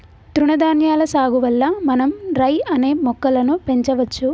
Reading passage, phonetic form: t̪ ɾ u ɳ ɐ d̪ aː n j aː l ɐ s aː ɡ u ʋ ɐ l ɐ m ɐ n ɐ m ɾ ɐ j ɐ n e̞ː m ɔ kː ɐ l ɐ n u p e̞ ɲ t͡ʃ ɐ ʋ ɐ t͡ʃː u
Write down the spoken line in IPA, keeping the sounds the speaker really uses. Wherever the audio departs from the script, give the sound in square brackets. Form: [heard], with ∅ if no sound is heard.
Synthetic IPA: t̪ ɾ u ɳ ɐ d̪ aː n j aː l ɐ s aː ɡ u ʋ ɐ [lː] ɐ m ɐ n ɐ m ɾ ɐ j ɐ n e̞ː m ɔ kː ɐ l ɐ n u p e̞ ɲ t͡ʃ ɐ ʋ ɐ t͡ʃː u